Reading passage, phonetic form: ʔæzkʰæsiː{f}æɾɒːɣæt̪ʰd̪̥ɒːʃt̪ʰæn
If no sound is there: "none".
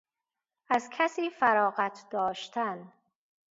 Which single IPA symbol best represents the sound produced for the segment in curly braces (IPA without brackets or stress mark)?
f